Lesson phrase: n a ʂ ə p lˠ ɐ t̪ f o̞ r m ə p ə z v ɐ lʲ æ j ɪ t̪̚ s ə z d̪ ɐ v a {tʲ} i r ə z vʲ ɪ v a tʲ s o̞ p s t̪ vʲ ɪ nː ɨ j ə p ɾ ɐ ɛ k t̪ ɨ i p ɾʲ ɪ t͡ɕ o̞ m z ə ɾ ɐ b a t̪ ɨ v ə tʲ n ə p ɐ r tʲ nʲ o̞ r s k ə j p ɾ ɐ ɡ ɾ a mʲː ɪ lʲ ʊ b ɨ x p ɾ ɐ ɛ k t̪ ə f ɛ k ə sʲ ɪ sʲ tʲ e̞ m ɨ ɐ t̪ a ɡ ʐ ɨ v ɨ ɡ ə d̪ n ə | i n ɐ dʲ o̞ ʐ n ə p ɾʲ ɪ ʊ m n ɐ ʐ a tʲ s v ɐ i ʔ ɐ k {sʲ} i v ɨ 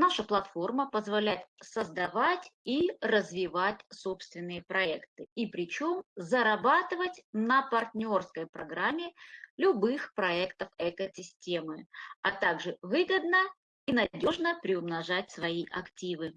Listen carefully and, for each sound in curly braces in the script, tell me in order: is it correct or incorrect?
correct, incorrect: tʲ

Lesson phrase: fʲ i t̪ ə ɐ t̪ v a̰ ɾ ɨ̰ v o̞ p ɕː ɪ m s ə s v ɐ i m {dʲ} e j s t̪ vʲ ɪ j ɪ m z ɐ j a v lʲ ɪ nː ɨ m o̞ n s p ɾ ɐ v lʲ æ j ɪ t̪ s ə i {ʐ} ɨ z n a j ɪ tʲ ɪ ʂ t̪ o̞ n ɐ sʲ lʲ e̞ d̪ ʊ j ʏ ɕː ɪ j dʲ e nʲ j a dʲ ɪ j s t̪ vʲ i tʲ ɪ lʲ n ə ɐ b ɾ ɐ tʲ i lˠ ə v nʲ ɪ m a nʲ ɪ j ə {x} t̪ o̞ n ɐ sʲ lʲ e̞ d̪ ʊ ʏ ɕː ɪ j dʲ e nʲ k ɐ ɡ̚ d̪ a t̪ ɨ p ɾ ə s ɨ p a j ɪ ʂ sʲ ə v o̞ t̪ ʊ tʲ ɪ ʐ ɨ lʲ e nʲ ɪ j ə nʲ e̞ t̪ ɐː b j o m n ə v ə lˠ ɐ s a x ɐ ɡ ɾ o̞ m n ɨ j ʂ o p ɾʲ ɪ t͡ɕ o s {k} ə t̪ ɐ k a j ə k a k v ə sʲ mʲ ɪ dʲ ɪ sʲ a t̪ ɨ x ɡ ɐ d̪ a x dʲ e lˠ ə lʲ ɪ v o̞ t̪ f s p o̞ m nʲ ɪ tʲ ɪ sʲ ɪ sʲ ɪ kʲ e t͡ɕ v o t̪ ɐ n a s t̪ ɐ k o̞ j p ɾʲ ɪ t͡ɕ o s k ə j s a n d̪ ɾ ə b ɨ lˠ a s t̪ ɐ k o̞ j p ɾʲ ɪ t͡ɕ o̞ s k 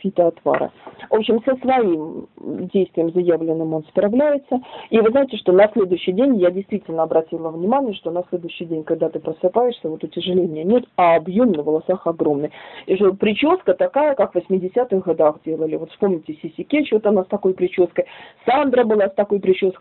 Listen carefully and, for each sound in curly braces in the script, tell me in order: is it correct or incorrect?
correct, incorrect: v, incorrect: ʂ, correct

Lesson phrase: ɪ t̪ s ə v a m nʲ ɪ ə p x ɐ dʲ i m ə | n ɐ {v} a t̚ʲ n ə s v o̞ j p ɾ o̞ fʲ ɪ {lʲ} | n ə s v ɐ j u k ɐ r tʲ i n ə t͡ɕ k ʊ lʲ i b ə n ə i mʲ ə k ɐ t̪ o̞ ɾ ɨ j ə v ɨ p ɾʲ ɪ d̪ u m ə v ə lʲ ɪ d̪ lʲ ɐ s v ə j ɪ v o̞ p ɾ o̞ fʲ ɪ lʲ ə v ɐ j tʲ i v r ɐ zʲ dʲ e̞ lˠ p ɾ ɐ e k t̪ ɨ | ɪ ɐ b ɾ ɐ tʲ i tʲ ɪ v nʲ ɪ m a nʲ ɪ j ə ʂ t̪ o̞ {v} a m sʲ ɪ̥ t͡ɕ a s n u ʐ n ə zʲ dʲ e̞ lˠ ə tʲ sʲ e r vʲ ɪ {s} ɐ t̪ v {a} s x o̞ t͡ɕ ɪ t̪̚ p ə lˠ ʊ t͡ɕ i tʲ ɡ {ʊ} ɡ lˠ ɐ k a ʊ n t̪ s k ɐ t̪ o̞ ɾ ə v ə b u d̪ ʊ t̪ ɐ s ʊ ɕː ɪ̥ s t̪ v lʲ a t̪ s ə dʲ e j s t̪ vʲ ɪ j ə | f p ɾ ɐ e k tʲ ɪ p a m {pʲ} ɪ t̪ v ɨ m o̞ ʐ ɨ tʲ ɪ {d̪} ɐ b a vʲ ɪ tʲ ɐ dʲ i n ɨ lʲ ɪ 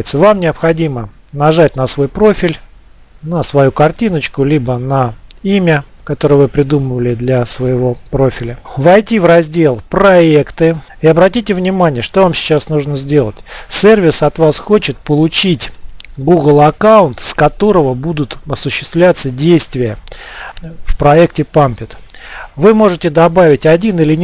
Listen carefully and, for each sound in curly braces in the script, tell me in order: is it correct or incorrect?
incorrect: ʐ, correct, correct, correct, correct, incorrect: u, correct, correct

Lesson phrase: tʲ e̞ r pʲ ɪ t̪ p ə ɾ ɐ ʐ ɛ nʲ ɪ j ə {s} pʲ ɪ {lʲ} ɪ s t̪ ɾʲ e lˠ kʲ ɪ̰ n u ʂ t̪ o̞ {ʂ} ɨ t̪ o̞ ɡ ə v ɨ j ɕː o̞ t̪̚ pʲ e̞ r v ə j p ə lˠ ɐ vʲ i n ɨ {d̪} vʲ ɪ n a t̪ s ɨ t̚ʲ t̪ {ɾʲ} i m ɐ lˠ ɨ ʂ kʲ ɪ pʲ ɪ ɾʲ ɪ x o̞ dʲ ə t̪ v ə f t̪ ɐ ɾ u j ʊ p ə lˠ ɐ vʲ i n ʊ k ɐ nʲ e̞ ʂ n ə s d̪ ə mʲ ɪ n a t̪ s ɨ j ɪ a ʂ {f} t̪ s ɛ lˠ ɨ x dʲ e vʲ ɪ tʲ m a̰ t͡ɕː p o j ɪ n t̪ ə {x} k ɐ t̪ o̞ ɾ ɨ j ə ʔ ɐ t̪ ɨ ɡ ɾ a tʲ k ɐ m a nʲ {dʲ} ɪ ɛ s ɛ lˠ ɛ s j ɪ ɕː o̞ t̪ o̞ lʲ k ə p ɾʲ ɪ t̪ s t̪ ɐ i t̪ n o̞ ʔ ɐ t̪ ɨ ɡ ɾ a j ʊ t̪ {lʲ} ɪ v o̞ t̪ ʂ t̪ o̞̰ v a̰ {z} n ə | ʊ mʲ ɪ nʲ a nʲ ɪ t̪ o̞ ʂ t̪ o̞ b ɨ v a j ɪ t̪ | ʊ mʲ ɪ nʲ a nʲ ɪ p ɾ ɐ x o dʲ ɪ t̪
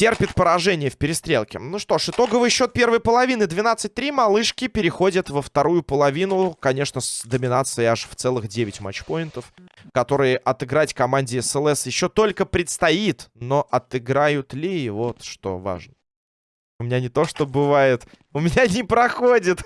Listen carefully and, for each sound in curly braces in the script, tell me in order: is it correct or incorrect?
incorrect: f, incorrect: ɾʲ, correct, correct, correct, correct, incorrect: f, correct, correct, incorrect: ʐ

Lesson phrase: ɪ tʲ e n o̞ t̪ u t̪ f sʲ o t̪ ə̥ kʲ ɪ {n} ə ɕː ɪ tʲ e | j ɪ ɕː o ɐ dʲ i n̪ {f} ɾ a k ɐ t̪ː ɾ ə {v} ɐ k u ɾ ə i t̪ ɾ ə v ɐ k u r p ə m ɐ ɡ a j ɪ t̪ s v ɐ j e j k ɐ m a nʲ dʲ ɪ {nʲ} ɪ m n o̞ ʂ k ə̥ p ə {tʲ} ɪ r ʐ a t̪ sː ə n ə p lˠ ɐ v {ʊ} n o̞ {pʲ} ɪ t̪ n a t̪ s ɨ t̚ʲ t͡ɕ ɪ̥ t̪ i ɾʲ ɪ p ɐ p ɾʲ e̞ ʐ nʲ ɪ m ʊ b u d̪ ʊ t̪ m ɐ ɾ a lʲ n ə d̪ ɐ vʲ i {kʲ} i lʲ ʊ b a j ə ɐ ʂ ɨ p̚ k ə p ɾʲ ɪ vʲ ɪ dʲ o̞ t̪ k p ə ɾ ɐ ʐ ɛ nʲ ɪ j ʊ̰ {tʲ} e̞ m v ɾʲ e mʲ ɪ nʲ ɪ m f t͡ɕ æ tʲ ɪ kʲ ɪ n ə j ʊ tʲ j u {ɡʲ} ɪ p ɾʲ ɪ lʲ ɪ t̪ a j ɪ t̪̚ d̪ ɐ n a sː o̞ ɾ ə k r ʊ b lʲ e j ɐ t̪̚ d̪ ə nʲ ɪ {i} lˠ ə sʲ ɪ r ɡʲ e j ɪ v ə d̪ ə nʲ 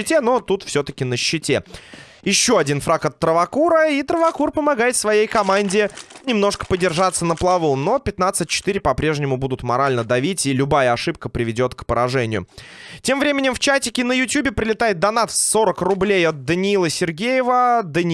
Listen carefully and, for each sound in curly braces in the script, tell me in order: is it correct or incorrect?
correct, correct, correct, correct, incorrect: dʲ, incorrect: u, correct, incorrect: tʲ, correct, incorrect: bʲ, correct

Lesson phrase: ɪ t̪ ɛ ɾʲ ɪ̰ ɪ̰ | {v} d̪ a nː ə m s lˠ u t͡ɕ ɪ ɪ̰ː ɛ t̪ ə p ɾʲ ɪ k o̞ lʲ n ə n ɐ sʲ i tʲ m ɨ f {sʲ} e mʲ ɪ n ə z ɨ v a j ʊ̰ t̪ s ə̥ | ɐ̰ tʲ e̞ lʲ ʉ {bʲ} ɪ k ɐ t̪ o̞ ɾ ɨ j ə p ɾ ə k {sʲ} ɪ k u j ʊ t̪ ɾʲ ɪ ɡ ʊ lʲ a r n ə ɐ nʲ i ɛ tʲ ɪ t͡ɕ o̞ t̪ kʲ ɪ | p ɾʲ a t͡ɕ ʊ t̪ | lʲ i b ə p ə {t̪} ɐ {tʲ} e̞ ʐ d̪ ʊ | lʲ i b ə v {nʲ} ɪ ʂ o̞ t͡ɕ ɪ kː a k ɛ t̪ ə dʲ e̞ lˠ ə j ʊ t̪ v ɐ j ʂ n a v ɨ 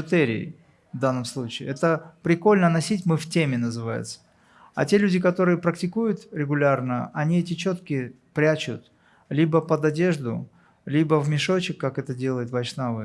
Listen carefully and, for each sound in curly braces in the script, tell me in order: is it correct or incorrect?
correct, incorrect: tʲ, incorrect: dʲ, incorrect: tʲ, incorrect: d̪, incorrect: dʲ, incorrect: mʲ

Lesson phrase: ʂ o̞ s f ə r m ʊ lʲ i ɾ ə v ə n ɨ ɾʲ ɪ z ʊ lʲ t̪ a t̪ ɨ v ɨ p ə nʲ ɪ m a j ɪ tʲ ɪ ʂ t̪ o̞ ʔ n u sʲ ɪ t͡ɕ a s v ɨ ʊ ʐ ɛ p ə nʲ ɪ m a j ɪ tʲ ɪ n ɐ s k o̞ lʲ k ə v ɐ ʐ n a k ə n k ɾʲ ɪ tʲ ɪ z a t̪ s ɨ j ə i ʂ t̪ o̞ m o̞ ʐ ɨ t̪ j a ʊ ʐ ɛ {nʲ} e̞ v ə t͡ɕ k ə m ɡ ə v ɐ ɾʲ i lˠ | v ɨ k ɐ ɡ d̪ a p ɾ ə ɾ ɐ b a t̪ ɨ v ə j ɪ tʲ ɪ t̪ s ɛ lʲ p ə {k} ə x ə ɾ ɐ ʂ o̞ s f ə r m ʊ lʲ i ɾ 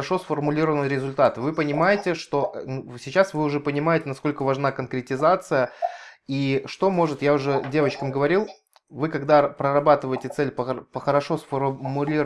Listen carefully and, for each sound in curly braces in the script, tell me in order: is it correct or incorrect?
incorrect: dʲ, incorrect: p

